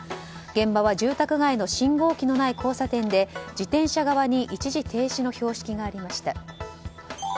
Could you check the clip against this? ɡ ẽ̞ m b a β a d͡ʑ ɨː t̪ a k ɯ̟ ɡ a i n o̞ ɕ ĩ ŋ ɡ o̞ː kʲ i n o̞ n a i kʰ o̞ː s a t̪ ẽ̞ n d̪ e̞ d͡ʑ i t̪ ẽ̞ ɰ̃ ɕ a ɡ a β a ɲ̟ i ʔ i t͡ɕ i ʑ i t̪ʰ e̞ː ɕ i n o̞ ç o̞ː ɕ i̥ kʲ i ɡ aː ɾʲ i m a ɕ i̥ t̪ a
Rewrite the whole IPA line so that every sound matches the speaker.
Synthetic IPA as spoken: ɡ ẽ̞ m b a β a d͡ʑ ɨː t̪ a k ɯ̟ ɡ a i n o̞ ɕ ĩ ŋ ɡ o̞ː kʲ i n o̞ n a i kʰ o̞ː s a t̪ ẽ̞ n d̪ e̞ d͡ʑ i t̪ ẽ̞ ɰ̃ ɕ a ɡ a β a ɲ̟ i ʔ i t͡ɕ i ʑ i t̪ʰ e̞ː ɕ i n o̞ ç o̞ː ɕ i̥ kʲ i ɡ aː ɾʲ i m a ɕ i̥ t̪ a

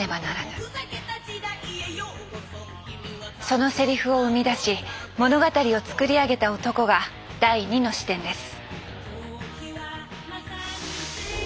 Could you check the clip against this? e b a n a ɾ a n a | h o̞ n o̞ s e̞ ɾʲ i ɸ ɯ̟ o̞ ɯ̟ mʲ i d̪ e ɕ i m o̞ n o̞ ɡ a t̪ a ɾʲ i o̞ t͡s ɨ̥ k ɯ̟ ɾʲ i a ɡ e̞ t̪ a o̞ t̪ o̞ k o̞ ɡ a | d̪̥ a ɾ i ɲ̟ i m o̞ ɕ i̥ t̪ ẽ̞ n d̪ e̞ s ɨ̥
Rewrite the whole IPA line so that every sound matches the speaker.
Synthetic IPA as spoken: e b a n a ɾ a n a | s o̞ n o̞ s e̞ ɾʲ i ɸ ɯ̟ o̞ ɯ̟ mʲ i d̪ a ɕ i m o̞ n o̞ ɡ a t̪ a ɾʲ i o̞ t͡s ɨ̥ k ɯ̟ ɾʲ i a ɡ e̞ t̪ a o̞ t̪ o̞ k o̞ ɡ a | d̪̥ a i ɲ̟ i n o̞ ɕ i̥ t̪ ẽ̞ n d̪ e̞ s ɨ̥

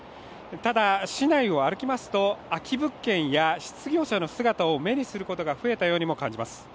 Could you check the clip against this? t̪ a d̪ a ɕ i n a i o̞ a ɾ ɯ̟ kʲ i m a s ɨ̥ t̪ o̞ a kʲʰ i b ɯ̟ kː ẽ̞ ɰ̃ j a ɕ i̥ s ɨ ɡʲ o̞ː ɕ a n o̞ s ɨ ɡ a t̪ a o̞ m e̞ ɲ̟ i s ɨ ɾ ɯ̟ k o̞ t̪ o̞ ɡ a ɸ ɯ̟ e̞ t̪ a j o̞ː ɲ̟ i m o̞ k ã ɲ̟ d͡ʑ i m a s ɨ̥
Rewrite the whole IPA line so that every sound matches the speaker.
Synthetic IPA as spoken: t̪ a d̪ a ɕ i n a i o̞ a ɾ ɯ̟ kʲ i m a s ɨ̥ t̪ o̞ a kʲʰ i b ɯ̟ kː ẽ̞ ɰ̃ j a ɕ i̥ t͡s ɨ ɡʲ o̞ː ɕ a n o̞ s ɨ ɡ a t̪ a o̞ m e̞ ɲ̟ i s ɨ ɾ ɯ̟ k o̞ t̪ o̞ ɡ a ɸ ɯ̟ e̞ t̪ a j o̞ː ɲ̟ i m o̞ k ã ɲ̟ d͡ʑ i m a s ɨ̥

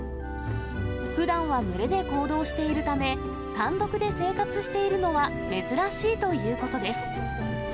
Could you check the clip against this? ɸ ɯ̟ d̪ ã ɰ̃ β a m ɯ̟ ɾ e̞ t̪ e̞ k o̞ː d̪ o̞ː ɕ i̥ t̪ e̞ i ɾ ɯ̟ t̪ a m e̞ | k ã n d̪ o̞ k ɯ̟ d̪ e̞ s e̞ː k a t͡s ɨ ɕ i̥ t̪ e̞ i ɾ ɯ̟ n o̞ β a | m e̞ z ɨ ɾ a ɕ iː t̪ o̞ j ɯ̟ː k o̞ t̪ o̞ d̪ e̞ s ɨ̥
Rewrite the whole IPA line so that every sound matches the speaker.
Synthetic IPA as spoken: ɸ ɯ̟ d̪ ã ɰ̃ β a m ɯ̟ ɾ e̞ d̪ e̞ k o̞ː d̪ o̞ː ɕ i̥ t̪ e̞ i ɾ ɯ̟ t̪ a m e̞ | k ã n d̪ o̞ k ɯ̟ d̪ e̞ s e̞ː k a t͡s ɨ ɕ i̥ t̪ e̞ i ɾ ɯ̟ n o̞ β a | m e̞ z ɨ ɾ a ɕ iː t̪ o̞ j ɯ̟ː k o̞ t̪ o̞ d̪ e̞ s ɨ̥

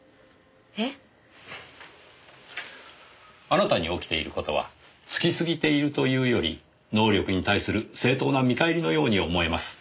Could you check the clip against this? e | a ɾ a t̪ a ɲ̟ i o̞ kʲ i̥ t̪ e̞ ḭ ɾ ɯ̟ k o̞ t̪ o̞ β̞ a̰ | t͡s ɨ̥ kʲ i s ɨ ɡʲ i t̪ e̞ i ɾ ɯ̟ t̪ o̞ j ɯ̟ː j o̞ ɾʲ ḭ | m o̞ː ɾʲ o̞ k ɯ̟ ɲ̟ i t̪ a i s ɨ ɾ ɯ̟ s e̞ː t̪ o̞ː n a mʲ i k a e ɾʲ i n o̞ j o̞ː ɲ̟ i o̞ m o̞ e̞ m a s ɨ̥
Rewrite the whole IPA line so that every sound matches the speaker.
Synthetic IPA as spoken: e | a ɾ a t̪ a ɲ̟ i o̞ kʲ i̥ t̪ e̞ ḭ ɾ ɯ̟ k o̞ t̪ o̞ β̞ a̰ | t͡s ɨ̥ kʲ i s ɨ ɡʲ i t̪ e̞ i ɾ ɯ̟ t̪ o̞ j ɯ̟ː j o̞ ɾʲ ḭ | n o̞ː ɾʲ o̞ k ɯ̟ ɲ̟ i t̪ a i s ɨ ɾ ɯ̟ s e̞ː t̪ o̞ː n a mʲ i k a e ɾʲ i n o̞ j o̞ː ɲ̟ i o̞ m o̞ e̞ m a s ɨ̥

